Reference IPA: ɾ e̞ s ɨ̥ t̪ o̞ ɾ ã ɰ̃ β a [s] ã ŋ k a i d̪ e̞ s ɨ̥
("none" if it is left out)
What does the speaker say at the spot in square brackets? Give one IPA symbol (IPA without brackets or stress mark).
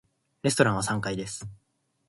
s